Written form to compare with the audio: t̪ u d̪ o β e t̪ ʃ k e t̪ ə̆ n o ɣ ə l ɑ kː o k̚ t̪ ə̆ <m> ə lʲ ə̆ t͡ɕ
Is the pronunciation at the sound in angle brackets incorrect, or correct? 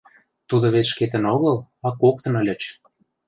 incorrect